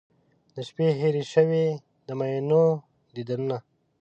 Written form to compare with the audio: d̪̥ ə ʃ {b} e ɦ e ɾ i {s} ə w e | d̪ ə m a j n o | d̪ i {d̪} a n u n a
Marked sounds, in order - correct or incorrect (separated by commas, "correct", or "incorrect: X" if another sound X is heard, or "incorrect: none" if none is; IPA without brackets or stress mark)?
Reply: incorrect: p, incorrect: ʃ, correct